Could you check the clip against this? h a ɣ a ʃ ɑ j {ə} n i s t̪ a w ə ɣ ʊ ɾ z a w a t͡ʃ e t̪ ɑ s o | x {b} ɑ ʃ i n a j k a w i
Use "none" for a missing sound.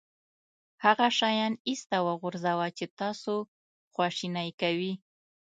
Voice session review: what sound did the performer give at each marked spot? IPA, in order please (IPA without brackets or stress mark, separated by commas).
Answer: ɑ, w